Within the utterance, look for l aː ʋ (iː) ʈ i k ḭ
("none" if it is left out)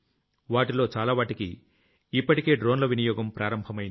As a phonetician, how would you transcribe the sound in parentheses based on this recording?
aː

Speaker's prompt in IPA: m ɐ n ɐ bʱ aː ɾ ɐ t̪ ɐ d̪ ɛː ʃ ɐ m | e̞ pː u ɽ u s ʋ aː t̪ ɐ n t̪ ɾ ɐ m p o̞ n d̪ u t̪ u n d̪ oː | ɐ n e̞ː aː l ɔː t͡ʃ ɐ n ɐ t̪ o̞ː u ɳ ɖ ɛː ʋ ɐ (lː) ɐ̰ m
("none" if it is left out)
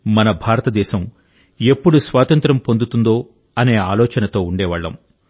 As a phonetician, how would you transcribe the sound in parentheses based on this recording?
ɭː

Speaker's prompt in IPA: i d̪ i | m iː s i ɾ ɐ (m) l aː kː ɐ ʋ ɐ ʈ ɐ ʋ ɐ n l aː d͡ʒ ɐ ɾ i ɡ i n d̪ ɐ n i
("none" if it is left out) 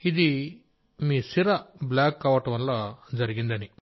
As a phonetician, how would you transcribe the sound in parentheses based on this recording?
b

